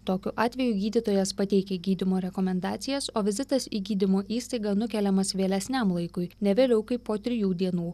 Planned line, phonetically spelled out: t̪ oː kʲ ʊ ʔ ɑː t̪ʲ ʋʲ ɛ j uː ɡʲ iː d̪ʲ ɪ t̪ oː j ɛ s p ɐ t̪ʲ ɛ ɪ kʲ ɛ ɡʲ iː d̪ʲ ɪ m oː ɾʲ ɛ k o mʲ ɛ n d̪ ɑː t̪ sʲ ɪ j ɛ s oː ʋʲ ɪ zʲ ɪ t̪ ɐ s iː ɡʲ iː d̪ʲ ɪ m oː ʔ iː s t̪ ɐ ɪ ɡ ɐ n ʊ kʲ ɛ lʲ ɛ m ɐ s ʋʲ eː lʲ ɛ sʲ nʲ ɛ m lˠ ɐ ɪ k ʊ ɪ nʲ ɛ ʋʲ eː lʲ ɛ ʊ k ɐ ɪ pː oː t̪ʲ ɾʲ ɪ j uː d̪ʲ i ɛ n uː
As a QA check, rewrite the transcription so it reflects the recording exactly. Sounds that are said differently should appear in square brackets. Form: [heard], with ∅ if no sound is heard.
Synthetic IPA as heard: t̪ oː kʲ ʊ ʔ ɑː t̪ʲ ʋʲ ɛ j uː ɡʲ iː d̪ʲ ɪ t̪ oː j ɛ s p ɐ t̪ʲ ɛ ɪ kʲ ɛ ɡʲ iː d̪ʲ ɪ m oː ɾʲ ɛ k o mʲ ɛ n d̪ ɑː t̪ sʲ ɪ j ɛ s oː ʋʲ ɪ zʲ ɪ t̪ ɐ s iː ɡʲ iː d̪ʲ ɪ m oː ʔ iː s t̪ ɐ ɪ ɡ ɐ n ʊ kʲ ɛ lʲ ɛ m ɐ s ʋʲ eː lʲ ɛ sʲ nʲ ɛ m lˠ ɐ ɪ k ʊ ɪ nʲ ɛ ʋʲ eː lʲ ɛ ʊ k ɐ ɪ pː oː t̪ʲ ɾʲ ɪ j uː d̪ʲ i ɛ n uː